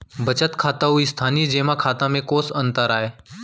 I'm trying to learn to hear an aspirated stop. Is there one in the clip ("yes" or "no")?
yes